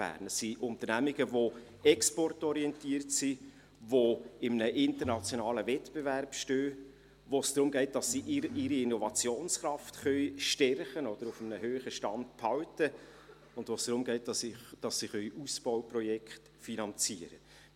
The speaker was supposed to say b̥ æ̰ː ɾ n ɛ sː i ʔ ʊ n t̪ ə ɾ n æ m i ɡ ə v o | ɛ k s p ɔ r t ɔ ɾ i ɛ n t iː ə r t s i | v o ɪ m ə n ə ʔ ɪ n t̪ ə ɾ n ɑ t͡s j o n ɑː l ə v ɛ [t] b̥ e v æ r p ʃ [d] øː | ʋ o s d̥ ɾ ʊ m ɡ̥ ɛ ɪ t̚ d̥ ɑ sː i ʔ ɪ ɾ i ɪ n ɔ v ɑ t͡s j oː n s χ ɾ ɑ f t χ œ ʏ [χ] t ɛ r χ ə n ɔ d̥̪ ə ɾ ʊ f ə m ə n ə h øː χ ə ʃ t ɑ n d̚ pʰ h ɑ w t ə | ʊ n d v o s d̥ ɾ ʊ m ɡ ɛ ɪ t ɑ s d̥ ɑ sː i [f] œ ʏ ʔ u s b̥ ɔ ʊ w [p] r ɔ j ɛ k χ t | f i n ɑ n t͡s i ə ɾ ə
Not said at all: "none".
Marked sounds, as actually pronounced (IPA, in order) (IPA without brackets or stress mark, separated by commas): t, t, ʃ, χ, p